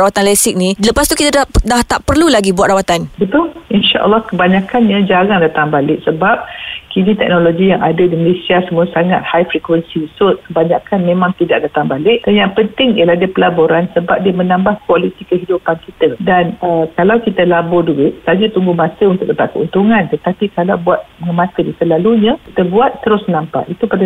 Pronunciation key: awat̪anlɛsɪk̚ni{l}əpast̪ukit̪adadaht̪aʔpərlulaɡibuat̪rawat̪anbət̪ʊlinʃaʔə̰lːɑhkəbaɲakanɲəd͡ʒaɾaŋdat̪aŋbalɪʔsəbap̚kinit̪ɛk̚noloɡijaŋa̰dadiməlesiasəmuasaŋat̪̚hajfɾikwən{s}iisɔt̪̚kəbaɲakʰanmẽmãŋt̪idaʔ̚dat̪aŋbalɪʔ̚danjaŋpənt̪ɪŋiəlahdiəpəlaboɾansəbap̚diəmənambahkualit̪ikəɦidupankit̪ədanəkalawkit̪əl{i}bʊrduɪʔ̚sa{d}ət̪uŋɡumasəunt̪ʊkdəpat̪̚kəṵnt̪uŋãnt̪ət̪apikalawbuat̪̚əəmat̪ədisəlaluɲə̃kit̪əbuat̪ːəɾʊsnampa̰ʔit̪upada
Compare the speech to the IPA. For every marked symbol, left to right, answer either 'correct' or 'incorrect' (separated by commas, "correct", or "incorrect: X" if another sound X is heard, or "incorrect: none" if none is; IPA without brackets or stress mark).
correct, correct, incorrect: a, incorrect: d͡ʒ